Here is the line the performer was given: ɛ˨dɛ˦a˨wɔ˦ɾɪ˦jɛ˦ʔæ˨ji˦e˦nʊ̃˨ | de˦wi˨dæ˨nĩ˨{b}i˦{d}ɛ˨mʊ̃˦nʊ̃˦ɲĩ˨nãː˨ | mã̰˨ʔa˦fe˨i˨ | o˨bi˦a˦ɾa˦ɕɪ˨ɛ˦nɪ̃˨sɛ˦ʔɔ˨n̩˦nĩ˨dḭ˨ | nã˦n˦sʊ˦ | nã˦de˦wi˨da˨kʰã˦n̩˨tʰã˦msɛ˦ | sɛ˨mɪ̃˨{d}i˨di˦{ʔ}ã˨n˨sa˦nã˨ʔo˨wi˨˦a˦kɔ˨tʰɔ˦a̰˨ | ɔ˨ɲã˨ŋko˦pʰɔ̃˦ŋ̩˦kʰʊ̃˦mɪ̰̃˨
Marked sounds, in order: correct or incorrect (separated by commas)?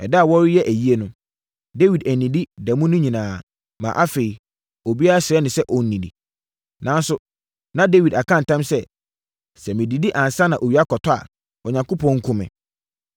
incorrect, correct, correct, correct